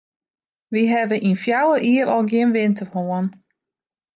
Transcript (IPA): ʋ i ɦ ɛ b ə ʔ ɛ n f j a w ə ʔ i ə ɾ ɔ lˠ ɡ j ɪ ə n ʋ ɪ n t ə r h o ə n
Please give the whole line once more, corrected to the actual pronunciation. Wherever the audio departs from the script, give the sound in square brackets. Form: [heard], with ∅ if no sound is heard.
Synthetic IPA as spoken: ʋ i ɦ ɛ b ə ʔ [i] n f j a w ə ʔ i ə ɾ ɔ lˠ ɡ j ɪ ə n ʋ ɪ n t ə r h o ə n